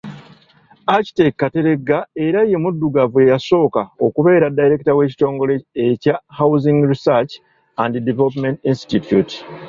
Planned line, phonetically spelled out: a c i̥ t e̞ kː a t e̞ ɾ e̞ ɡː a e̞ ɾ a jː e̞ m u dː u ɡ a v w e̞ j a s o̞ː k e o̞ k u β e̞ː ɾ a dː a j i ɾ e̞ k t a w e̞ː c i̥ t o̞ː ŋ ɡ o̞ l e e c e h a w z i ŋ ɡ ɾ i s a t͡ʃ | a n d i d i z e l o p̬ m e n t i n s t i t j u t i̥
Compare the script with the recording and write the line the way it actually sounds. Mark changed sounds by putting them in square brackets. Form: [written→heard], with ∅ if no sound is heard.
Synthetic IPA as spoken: a c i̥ t e̞ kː a t e̞ ɾ e̞ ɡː a e̞ ɾ a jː e̞ m u dː u ɡ a v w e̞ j a s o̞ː k [e→a] o̞ k u β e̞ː ɾ a dː a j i ɾ e̞ k t a w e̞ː c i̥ t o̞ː ŋ ɡ o̞ l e e c [e→a] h a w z i ŋ ɡ ɾ i s a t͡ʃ | a n d i d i [z→v] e l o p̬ m e n t i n s t i t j u t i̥